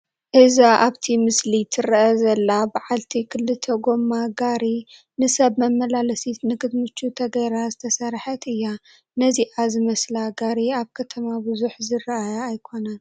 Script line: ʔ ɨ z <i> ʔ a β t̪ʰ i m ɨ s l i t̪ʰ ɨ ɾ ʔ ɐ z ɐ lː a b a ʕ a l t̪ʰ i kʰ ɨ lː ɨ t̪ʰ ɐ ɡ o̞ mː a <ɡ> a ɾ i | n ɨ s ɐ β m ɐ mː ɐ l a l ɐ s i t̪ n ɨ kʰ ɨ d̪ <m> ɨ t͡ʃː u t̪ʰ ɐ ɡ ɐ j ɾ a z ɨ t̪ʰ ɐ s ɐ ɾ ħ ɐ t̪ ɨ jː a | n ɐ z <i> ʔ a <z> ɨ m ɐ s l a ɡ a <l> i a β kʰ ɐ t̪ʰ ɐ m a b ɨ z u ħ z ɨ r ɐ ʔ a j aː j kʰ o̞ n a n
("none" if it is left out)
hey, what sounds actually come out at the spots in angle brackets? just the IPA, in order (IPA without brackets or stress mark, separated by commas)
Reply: a, ɡ, m, i, z, ɾ